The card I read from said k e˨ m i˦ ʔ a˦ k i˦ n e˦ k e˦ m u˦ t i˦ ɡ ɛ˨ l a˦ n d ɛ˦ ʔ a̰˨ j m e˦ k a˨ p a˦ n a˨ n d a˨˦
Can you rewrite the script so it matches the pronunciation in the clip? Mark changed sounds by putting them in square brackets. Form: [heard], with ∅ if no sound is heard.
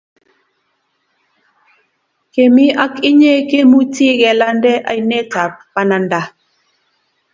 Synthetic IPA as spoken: k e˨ m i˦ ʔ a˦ k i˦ [ɲ] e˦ k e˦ m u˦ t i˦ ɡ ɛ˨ l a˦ n d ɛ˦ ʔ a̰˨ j [n] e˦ [t] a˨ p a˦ n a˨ n d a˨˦